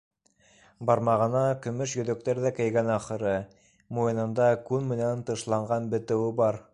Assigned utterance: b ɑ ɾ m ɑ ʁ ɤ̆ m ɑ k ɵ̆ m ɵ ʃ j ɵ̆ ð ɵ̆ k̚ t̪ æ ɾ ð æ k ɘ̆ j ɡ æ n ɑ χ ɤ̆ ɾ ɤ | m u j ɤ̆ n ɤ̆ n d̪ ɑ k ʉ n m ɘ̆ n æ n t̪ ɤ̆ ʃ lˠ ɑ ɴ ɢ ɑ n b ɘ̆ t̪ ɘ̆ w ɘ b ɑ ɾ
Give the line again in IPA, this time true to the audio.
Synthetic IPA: b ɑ ɾ m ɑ ʁ ɤ̆ n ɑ k ɵ̆ m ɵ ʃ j ɵ̆ ð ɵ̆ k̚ t̪ æ ɾ ð æ k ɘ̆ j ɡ æ n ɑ χ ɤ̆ ɾ ɤ | m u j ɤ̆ n ɤ̆ n d̪ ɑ k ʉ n m ɘ̆ n æ n t̪ ɤ̆ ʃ lˠ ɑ ɴ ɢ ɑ n b ɘ̆ t̪ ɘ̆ w ɘ b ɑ ɾ